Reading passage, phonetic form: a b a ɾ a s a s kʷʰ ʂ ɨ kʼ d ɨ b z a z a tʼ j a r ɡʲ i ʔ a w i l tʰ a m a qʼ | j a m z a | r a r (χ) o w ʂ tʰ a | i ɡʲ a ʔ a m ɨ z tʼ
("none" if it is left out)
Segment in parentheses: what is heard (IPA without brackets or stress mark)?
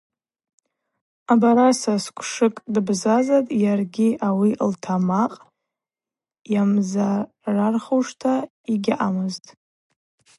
χ